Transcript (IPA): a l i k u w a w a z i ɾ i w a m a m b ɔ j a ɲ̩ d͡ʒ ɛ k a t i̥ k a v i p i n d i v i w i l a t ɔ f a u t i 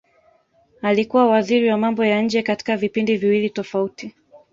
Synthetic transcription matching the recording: a l i k u w a w a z i ɾ i w a m a m b ɔ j a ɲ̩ d͡ʒ ɛ k a t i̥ k a v i p i n d i v i w i l i t ɔ f a u t i